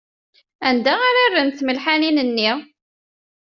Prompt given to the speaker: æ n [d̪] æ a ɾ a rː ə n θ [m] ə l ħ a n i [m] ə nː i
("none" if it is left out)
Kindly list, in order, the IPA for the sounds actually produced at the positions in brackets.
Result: d̪, m, n

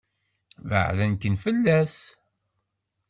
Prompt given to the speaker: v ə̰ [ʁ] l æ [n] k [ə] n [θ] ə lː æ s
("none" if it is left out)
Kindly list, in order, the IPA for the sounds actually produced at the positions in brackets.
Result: ʕ, n, ə, f

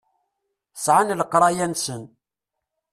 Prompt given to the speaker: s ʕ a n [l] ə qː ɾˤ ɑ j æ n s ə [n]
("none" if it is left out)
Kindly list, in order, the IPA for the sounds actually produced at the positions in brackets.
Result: l, n

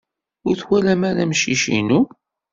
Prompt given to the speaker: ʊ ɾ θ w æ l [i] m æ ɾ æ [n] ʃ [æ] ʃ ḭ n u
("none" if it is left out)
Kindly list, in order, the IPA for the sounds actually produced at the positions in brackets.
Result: æ, m, i

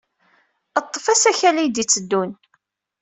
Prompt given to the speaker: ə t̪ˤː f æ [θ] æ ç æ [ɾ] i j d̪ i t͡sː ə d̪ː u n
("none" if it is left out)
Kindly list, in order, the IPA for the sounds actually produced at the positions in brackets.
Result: s, l

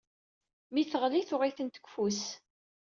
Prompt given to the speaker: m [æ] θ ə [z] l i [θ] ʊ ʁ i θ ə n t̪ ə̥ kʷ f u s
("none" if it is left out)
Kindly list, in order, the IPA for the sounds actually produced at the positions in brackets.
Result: i, ʁ, θ

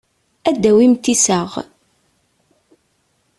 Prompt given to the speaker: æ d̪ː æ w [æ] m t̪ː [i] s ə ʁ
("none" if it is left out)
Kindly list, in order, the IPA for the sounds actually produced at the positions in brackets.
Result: i, i

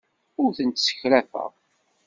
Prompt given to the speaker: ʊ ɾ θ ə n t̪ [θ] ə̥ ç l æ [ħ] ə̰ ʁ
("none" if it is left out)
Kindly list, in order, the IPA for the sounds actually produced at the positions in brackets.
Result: s, f

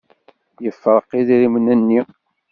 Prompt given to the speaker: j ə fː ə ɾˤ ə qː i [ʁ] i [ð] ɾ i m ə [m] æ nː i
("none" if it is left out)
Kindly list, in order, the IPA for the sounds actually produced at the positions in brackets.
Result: ð, none, n

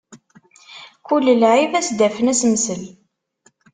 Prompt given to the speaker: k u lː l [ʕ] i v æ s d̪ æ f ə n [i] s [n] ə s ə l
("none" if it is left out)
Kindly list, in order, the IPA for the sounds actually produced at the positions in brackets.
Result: ʕ, æ, m

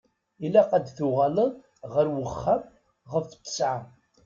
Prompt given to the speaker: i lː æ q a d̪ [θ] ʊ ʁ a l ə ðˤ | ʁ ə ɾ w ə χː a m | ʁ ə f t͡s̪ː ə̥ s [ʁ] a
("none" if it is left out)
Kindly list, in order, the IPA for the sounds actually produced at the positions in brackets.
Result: θ, ʕ

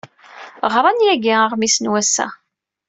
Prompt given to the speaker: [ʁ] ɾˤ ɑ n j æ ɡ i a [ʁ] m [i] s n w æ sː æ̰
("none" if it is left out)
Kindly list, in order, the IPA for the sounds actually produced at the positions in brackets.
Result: ʁ, ʁ, i

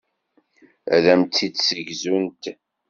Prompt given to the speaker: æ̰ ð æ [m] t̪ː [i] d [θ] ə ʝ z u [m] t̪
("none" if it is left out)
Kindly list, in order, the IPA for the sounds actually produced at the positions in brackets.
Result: m, i, s, n

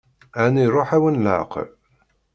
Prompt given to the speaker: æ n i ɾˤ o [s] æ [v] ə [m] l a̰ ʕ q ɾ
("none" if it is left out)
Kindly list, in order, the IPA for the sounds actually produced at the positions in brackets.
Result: ħ, w, n

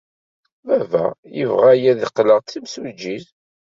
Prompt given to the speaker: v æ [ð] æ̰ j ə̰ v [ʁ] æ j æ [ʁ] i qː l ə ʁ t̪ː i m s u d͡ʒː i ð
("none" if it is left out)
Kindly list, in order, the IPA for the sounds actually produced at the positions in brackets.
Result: v, ʁ, ð

